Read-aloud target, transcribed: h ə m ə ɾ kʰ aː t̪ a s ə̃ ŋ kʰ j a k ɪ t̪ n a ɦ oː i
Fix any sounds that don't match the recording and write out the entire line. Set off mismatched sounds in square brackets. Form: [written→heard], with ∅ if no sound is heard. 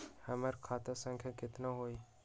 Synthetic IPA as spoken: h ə m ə ɾ kʰ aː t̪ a s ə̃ ŋ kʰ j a k ɪ t̪ n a ɦ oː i